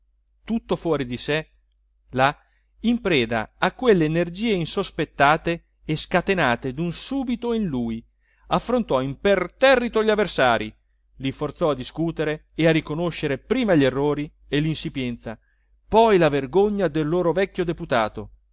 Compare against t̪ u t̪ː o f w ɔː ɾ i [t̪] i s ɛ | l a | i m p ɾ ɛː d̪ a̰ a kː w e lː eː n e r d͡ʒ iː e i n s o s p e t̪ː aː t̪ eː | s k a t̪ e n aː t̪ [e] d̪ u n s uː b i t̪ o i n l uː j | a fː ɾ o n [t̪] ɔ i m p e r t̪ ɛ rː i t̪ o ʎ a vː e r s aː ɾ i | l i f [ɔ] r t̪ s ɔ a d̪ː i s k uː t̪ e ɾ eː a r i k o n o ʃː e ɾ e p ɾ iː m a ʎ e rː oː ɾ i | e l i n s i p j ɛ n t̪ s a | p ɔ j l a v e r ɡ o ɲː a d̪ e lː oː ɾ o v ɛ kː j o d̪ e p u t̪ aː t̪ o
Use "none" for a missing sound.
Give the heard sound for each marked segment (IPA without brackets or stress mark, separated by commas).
d̪, e, t̪, o